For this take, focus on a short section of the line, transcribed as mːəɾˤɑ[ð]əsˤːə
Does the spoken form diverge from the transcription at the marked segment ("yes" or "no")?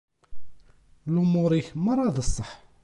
no